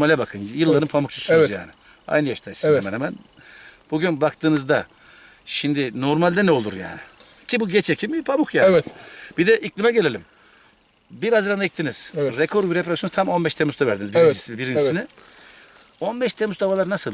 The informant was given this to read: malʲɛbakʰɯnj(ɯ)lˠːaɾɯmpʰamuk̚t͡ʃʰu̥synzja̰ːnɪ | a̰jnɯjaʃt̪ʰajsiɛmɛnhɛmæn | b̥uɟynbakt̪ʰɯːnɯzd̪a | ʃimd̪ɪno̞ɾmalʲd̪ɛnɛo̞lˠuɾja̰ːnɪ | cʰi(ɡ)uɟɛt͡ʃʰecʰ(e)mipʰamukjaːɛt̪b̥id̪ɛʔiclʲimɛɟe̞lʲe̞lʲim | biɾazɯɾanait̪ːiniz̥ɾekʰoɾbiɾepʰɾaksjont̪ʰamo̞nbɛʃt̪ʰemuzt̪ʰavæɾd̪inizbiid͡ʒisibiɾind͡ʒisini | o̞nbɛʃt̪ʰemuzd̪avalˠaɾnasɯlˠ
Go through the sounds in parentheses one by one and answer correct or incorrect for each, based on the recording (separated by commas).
correct, incorrect, incorrect